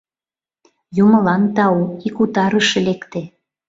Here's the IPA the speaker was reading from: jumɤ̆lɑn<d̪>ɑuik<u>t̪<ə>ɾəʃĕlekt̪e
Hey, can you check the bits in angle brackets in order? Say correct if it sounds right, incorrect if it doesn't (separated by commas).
incorrect, correct, incorrect